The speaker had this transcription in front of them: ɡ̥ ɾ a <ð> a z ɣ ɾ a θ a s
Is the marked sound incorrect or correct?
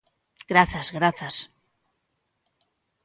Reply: incorrect: θ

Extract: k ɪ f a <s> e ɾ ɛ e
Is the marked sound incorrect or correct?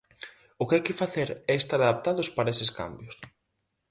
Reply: incorrect: θ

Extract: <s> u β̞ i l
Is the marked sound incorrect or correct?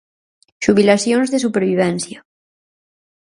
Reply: incorrect: ʃ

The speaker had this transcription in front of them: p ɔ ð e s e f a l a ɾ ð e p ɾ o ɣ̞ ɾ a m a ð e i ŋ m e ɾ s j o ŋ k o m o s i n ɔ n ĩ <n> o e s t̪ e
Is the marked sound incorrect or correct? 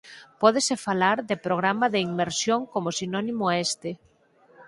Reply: incorrect: m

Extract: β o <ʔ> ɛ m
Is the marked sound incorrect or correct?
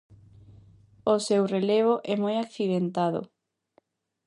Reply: correct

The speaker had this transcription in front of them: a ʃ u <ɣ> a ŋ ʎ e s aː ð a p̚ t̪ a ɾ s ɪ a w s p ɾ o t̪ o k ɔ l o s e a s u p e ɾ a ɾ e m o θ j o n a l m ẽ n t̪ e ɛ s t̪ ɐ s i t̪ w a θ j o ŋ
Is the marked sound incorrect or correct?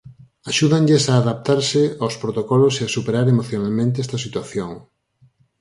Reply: incorrect: ð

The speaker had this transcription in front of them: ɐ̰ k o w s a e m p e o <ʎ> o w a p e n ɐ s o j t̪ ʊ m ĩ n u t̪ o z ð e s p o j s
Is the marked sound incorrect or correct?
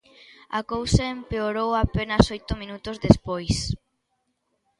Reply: incorrect: ɾ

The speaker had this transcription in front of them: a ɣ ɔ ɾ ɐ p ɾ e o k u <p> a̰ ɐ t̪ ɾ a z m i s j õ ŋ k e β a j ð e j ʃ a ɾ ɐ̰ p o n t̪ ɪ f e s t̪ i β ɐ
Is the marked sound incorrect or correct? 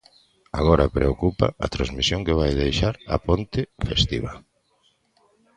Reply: correct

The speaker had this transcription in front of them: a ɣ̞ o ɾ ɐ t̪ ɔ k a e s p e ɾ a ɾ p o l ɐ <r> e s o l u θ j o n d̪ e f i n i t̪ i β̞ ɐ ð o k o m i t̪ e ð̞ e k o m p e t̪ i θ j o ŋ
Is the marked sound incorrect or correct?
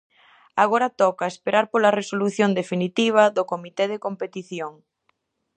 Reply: correct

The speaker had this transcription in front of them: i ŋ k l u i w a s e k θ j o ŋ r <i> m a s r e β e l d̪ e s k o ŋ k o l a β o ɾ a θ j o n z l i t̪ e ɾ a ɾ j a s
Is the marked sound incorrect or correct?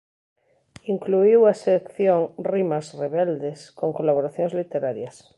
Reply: correct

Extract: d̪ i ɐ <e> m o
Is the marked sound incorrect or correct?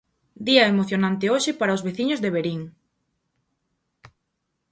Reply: correct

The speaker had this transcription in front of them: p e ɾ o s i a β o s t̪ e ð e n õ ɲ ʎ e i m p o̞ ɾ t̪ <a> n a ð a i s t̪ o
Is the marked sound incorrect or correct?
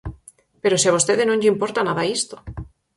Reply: correct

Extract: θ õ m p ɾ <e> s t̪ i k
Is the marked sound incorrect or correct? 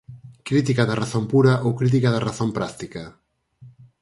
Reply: incorrect: a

